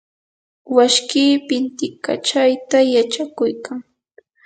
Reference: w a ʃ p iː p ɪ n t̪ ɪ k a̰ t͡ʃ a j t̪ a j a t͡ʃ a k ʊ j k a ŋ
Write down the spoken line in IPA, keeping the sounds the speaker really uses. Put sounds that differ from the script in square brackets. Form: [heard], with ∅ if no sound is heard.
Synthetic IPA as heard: w a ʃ [k] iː p ɪ n t̪ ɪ k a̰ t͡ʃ a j t̪ a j a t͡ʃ a k ʊ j k a ŋ